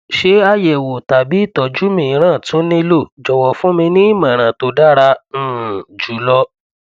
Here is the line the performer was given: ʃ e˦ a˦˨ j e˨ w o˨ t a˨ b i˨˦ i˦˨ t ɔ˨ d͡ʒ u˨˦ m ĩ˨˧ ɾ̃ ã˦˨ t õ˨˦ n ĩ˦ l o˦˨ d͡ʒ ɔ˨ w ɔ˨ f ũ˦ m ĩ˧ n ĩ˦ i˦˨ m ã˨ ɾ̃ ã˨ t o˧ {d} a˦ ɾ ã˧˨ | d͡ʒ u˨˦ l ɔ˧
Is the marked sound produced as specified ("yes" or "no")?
yes